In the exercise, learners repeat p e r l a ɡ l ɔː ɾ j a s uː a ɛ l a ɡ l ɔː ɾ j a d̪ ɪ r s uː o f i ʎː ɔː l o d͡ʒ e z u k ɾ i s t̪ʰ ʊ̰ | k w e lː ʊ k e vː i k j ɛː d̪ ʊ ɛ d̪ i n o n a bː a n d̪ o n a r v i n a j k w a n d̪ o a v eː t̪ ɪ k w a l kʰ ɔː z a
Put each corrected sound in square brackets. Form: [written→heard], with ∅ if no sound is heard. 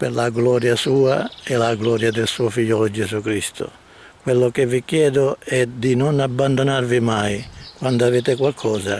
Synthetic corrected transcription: p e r l a ɡ l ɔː ɾ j a s uː a ɛ l a ɡ l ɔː ɾ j a d̪ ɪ [r→l] s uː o f i ʎː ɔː l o d͡ʒ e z u k ɾ i s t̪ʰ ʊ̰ | k w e lː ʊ k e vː i k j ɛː d̪ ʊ ɛ d̪ i n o n a bː a n d̪ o n a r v i [n→m] a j k w a n d̪ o a v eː t̪ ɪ k w a l kʰ ɔː z a